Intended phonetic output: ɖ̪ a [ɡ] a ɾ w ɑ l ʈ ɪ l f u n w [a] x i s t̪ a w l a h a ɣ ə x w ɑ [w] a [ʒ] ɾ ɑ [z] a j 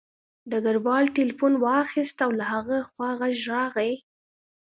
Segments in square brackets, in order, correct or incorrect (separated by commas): correct, incorrect, incorrect, correct, incorrect